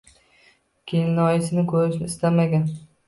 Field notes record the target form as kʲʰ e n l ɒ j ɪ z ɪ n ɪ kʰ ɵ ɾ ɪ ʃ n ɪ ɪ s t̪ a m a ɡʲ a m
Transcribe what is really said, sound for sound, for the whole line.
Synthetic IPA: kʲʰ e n l ɒ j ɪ s ɪ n ɪ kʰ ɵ ɾ ɪ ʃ n ɪ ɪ s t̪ a m a ɡʲ a n

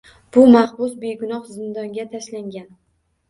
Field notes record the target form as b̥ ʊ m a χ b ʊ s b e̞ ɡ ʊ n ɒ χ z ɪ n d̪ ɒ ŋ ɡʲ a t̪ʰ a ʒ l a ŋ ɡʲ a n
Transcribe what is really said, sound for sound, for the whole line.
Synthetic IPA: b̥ ʊ m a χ b ʊ s b e̞ ɡ ʊ n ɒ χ z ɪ n d̪ ɒ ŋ ɡʲ a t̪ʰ a ʃ l a ŋ ɡʲ a n

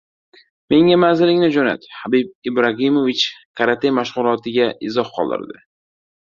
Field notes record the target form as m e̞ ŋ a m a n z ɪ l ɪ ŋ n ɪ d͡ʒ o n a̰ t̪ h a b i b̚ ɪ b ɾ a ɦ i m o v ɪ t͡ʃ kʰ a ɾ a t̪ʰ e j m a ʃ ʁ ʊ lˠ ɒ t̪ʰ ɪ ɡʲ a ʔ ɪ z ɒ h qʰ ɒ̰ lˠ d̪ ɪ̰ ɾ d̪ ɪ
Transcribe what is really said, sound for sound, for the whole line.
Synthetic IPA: m e̞ ŋ a m a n z ɪ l ɪ ŋ n ɪ d͡ʒ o n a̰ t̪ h a b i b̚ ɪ b ɾ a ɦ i m o v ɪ t͡ʃ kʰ a ɾ a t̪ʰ e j m a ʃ ʁ ʊ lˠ ɒ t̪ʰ ɪ ɡʲ a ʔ ɪ z ɒ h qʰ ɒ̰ lˠ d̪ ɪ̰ ɾ d̪ ɪ

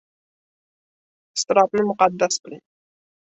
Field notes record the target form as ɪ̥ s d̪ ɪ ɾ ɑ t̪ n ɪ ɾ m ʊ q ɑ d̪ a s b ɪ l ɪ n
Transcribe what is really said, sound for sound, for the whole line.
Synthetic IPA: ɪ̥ s t̪ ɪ ɾ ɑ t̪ n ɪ m ʊ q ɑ d̪ː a s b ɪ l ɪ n

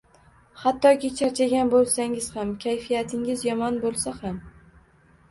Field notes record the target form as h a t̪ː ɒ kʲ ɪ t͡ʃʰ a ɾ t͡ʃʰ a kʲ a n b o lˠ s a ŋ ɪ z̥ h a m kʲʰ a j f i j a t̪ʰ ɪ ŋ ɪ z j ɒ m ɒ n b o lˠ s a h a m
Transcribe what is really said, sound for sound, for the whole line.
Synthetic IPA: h a t̪ː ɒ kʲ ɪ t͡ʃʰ a ɾ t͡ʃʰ a ɡʲ a n b o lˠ s a ŋ ɪ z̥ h a m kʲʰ a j f i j a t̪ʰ ɪ ŋ ɪ z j ɒ m ɒ n b o lˠ s a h a m

